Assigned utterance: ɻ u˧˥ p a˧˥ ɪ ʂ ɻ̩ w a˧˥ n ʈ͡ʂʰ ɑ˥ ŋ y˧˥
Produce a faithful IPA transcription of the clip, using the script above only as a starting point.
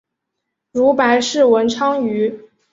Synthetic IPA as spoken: ɻ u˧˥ p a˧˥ ɪ ʂ ɻ̩ w ə˧˥ n ʈ͡ʂʰ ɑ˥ ŋ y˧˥